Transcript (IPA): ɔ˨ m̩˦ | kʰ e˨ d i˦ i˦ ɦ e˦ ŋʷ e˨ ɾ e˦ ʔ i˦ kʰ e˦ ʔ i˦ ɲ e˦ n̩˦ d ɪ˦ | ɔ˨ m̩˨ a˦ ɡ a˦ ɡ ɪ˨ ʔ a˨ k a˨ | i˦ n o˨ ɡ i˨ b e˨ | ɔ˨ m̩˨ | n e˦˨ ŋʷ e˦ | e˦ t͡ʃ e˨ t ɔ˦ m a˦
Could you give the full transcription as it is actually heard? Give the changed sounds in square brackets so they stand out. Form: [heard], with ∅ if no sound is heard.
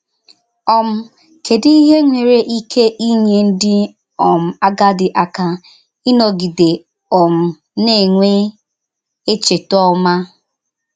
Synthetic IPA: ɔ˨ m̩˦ | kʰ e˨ d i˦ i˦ ɦ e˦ ŋʷ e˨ ɾ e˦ ʔ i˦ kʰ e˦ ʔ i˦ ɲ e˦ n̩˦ d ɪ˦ | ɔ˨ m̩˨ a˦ ɡ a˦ [d] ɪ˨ ʔ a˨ k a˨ | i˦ n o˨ ɡ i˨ [d] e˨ | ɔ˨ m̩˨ | n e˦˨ ŋʷ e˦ | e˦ t͡ʃ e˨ t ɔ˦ m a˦